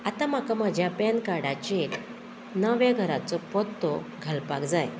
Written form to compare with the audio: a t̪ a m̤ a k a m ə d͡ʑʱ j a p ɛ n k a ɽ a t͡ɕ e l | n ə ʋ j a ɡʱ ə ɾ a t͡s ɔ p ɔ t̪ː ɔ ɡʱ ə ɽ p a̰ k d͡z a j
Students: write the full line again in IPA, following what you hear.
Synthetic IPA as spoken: a t̪ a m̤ a k a m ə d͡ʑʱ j a p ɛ n k a ɽ a t͡ɕ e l | n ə ʋ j a ɡʱ ə ɾ a t͡s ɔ p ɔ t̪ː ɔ ɡʱ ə l p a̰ k d͡z a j

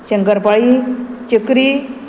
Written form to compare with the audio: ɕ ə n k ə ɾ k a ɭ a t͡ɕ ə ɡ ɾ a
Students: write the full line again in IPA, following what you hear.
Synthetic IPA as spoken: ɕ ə ŋ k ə ɾ p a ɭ i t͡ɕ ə k ɾ i

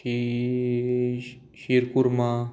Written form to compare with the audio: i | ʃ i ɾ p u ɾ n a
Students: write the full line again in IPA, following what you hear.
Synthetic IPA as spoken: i | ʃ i ɾ k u ɾ m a

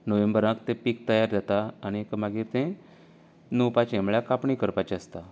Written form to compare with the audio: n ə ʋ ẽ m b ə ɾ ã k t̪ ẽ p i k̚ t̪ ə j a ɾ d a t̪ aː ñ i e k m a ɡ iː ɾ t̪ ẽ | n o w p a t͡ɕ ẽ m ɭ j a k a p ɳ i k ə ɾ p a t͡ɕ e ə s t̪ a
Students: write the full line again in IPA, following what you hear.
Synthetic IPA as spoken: n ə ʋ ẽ m b ə ɾ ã k t̪ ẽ p i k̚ t̪ ə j a ɾ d a t̪ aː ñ i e k m a ɡ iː ɾ t̪ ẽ | n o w p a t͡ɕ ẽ m ɭ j a k a p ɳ i k ə ɾ p a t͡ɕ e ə s t̪ a

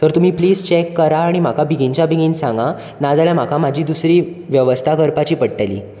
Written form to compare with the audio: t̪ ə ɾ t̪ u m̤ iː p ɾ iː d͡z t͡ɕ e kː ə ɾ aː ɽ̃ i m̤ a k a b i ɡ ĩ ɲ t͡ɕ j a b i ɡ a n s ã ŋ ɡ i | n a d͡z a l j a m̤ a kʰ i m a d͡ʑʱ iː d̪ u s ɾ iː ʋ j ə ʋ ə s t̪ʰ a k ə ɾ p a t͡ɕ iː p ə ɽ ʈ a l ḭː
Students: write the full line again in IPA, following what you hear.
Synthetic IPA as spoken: t̪ ə ɾ t̪ u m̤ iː p l iː d͡z t͡ɕ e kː ə ɾ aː ɽ̃ i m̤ a k a b i ɡ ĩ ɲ t͡ɕ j a b i ɡ i n s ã ŋ ɡ a | n a d͡z a l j a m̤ a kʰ a m a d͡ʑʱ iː d̪ u s ɾ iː ʋ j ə ʋ ə s t̪ʰ a k ə ɾ p a t͡ɕ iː p ə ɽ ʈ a l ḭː

